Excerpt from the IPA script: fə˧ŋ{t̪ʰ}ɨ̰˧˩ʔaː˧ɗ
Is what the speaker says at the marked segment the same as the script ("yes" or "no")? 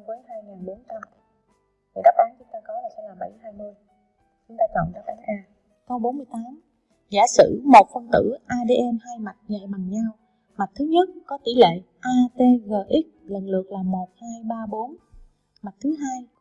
no